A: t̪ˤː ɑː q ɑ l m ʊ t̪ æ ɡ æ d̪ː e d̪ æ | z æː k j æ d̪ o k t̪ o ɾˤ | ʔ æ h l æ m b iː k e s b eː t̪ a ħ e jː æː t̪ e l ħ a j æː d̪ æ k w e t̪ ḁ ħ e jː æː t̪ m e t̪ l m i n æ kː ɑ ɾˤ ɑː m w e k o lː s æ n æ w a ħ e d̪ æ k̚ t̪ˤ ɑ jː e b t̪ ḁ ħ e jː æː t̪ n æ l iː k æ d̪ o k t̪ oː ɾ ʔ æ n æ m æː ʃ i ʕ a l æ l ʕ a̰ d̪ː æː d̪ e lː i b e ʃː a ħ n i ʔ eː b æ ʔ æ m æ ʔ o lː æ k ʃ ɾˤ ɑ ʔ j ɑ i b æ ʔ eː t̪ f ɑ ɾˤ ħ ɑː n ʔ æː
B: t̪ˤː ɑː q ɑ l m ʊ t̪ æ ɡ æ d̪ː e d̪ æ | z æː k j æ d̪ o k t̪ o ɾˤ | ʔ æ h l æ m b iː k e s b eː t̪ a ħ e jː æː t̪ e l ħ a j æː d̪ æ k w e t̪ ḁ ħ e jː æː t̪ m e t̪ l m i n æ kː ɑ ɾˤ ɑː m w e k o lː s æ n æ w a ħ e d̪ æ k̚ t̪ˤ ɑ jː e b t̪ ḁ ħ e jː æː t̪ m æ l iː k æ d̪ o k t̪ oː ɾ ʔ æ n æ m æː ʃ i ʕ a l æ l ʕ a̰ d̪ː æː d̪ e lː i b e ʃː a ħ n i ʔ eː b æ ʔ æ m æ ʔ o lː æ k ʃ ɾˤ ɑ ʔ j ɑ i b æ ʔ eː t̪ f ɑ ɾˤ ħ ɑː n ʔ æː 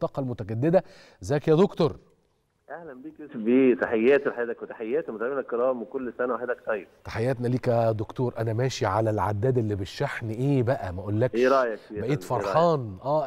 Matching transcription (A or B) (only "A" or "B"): A